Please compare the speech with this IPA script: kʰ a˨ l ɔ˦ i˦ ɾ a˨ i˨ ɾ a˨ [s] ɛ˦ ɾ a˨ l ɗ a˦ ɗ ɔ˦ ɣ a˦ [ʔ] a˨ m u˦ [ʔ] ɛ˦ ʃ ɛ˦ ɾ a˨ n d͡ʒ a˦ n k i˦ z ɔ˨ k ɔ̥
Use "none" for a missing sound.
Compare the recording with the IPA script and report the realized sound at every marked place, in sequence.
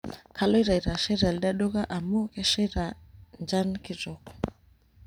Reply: ʃ, ʔ, k

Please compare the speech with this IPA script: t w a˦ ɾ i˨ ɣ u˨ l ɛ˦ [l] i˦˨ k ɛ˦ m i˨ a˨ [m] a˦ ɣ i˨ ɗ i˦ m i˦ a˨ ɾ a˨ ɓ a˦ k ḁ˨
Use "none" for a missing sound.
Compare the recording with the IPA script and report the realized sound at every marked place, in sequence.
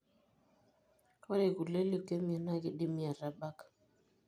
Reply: l, n

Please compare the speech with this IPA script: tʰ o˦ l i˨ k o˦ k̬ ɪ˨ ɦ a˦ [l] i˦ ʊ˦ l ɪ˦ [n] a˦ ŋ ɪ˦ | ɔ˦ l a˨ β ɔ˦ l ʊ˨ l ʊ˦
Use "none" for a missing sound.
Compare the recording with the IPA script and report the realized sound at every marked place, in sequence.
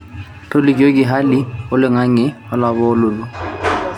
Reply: l, ŋ

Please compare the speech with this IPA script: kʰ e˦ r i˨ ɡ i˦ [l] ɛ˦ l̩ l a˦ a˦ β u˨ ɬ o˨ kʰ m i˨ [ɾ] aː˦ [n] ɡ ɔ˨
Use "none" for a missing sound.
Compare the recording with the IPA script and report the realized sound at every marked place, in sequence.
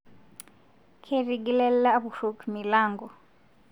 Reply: l, l, ŋ

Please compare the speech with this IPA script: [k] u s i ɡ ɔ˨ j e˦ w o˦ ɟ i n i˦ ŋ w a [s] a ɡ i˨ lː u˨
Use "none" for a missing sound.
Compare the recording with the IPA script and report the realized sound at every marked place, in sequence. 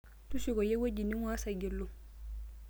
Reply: t, s

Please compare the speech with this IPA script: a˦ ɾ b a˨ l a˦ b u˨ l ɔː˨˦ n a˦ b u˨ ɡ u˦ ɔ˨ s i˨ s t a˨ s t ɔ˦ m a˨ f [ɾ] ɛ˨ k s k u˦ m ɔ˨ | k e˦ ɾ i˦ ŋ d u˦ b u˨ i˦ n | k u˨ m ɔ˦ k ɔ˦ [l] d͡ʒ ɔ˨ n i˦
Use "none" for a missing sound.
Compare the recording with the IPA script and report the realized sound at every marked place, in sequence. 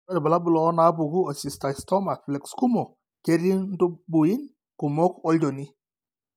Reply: l, l

